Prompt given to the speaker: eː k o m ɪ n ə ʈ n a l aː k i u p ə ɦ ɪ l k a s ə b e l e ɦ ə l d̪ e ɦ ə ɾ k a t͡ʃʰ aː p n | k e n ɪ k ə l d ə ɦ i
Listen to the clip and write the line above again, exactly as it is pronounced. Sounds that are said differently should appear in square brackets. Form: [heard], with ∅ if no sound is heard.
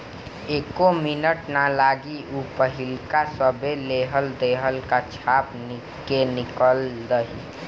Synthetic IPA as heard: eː k o m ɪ n ə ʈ n a l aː [ɡ] i u p ə ɦ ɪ l k a s ə b e l e ɦ ə l d̪ e ɦ ə [l] k a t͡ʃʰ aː p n | k e n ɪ k ə l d ə ɦ i

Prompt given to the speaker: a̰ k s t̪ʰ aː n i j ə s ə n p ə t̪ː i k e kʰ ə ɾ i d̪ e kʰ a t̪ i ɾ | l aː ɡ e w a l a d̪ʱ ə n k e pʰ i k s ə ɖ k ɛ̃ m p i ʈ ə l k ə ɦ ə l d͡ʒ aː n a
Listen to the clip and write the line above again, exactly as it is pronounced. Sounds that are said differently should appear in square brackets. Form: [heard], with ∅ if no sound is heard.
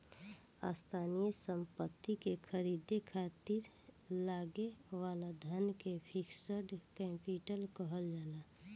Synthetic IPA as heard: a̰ [∅] s t̪ʰ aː n i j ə s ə [m] p ə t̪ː i k e kʰ ə ɾ i d̪ e kʰ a t̪ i ɾ | l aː ɡ e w a l a d̪ʱ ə n k e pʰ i k s ə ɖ k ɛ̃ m p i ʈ ə l k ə ɦ ə l d͡ʒ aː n a

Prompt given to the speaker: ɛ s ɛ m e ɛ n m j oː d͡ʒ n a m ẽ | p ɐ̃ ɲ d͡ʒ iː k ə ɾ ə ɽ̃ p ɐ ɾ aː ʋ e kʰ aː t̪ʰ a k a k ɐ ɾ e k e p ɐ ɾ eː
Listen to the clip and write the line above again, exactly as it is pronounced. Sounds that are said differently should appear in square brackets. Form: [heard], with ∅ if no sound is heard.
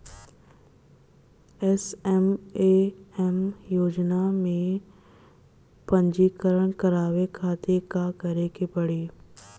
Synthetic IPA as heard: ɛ s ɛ m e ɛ [∅] m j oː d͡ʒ n a m ẽ | p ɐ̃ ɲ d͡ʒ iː k ə ɾ ə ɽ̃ [k] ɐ ɾ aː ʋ e kʰ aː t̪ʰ [e] k a k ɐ ɾ e k e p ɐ [ɽ] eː

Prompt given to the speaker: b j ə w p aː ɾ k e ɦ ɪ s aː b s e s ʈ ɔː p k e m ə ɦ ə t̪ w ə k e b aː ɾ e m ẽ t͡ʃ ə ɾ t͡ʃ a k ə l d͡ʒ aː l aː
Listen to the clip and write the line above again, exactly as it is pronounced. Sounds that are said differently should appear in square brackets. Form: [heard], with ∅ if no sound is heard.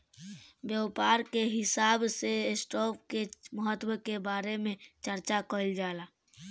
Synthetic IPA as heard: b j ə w p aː ɾ k e ɦ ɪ s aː b s e s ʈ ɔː p k e m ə ɦ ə t̪ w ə k e b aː ɾ e m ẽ t͡ʃ ə ɾ t͡ʃ a k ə l d͡ʒ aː l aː

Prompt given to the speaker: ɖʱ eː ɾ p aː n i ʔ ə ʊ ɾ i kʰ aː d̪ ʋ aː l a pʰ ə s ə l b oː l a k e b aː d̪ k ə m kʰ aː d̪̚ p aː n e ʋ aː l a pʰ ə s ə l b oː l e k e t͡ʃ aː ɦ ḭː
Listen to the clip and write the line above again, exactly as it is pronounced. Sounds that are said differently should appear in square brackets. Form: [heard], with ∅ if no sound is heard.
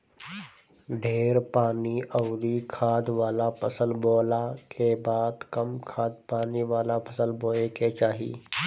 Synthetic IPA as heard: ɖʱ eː ɾ p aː n i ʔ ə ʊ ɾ i kʰ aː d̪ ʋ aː l a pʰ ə s ə l b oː l a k e b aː d̪ k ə m kʰ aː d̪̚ p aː n [i] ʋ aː l a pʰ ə s ə l b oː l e k e t͡ʃ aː ɦ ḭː

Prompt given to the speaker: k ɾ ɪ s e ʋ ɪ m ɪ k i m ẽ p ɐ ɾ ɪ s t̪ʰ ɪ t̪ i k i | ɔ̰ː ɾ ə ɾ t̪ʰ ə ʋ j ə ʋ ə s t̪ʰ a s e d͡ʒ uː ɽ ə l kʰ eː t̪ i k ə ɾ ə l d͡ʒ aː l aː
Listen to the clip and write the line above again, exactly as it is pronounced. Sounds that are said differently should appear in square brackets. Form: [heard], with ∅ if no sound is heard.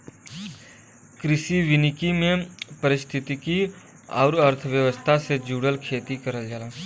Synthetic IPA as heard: k ɾ ɪ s [i] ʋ ɪ [n] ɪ k i m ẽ p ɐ ɾ ɪ s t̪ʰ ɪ t̪ i k i | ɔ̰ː ɾ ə ɾ t̪ʰ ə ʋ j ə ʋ ə s t̪ʰ a s e d͡ʒ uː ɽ ə l kʰ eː t̪ i k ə ɾ ə l d͡ʒ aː l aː

